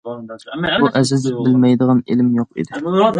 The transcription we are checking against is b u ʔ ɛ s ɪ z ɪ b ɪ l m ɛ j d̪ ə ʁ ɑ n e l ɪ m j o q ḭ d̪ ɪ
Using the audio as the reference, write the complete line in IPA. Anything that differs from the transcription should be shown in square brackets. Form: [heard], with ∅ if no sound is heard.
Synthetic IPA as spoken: b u ʔ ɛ [z] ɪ z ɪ b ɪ l m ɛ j d̪ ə ʁ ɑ n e l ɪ m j o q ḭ d̪ ɪ